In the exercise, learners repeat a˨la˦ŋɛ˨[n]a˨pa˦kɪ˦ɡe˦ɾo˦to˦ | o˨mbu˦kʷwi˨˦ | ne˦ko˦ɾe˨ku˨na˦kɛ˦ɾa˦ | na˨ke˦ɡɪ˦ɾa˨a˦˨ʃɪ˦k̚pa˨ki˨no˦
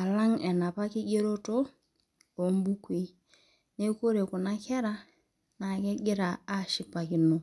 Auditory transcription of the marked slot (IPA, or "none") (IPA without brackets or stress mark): n